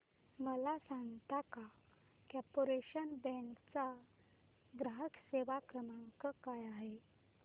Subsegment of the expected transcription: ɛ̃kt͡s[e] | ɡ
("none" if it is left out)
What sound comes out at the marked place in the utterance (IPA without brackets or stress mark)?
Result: a